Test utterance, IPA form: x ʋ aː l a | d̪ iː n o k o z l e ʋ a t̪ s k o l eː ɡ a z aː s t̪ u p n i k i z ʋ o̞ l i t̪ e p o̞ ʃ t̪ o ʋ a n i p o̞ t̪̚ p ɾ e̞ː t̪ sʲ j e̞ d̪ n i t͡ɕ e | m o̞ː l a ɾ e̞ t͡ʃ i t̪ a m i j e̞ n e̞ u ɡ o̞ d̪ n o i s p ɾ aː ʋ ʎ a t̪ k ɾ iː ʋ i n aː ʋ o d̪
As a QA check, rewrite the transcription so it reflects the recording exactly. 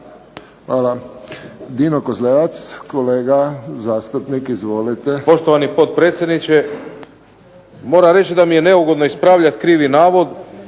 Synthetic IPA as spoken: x ʋ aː l a | d̪ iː n o k o z l e ʋ a t̪ s k o l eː ɡ a z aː s t̪ u p n i k i z ʋ o̞ l i t̪ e p o̞ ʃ t̪ o ʋ a n i p o̞ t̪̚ p ɾ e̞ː t̪ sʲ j e̞ d̪ n i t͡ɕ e | m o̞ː ɾ a ɾ e̞ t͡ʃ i d̪ a m i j e̞ n e̞ u ɡ o̞ d̪ n o i s p ɾ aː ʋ ʎ a t̪ k ɾ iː ʋ i n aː ʋ o d̪